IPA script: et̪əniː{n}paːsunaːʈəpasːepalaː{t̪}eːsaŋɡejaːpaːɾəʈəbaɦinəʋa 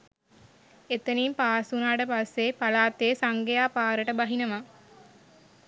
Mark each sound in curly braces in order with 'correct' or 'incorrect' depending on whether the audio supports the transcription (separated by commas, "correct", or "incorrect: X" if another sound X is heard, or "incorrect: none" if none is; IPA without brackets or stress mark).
incorrect: m, correct